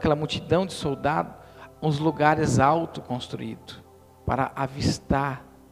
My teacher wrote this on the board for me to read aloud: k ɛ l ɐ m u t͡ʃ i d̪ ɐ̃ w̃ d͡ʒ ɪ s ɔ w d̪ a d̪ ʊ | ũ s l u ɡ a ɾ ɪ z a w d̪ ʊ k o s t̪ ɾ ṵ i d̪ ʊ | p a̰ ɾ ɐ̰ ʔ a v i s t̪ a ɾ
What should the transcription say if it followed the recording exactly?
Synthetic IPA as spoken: k ɛ l ɐ m u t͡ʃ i d̪ ɐ̃ w̃ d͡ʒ ɪ s o w d̪ a d̪ ʊ | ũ z l u ɡ a ɾ ɪ z a w t̪ ʊ k õ s t̪ ɾ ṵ i d̪ ʊ | p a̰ ɾ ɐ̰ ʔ a v i s t̪ a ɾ